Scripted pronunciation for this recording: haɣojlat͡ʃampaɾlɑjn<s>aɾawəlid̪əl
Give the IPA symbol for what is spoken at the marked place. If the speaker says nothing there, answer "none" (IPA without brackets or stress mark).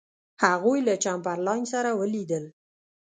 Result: s